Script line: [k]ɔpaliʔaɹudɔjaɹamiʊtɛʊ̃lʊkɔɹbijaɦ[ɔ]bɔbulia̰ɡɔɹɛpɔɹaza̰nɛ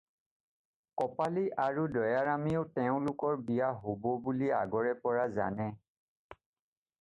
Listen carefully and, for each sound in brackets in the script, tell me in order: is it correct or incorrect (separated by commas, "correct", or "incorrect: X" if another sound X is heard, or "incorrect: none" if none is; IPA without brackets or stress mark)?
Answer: correct, incorrect: o